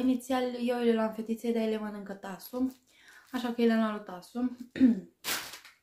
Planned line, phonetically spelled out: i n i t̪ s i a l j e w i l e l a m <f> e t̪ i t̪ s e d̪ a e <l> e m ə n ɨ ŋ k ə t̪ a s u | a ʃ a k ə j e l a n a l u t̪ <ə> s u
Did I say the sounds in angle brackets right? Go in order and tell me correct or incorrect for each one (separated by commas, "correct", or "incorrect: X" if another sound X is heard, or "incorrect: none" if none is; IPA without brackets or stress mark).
correct, correct, incorrect: a